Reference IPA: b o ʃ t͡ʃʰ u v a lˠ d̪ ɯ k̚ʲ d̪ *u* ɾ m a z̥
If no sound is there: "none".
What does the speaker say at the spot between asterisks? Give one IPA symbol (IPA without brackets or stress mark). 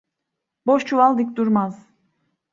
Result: u